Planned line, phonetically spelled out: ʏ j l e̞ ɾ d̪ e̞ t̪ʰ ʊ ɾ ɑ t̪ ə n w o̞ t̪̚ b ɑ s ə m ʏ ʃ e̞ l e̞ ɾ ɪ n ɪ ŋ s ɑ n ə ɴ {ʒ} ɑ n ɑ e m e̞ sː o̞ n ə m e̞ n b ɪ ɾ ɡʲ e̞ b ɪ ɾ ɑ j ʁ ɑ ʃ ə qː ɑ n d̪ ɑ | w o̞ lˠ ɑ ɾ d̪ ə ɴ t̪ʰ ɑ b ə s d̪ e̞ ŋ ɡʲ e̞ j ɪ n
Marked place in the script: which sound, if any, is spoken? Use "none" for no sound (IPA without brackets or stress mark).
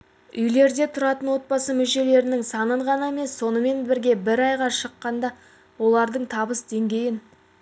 ʁ